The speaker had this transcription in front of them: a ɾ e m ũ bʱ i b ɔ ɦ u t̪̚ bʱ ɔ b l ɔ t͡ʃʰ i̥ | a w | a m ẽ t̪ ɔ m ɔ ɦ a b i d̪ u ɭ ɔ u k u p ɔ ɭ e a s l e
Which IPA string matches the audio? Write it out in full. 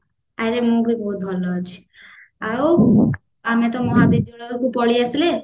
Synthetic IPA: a ɾ e m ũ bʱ i b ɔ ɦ u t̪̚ bʱ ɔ l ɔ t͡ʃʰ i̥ | a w | a m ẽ t̪ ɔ m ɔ ɦ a b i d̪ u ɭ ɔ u k u p ɔ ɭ i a s l e